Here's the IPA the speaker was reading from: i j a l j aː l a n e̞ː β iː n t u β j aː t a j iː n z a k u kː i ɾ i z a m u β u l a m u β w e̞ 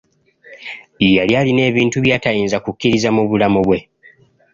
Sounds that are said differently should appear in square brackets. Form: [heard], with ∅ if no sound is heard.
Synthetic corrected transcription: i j a l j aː l [i] n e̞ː β iː n t u β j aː t a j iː n z a k u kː i ɾ i z a m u β u l a m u β w e̞